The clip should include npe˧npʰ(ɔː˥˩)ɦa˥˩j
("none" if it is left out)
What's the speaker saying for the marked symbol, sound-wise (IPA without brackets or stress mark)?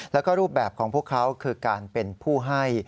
uː˥˩